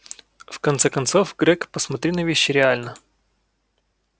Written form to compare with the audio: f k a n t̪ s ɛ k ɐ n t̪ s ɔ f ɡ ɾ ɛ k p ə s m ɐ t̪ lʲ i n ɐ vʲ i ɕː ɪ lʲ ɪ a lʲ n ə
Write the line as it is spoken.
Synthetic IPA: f k ɐ n t̪ s ɛ k ɐ n t̪ s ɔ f ɡ ɾ ɛ k p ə s m ɐ t̪ ɾʲ i n ɐ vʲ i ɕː ɪ ɾʲ ɪ a lʲ n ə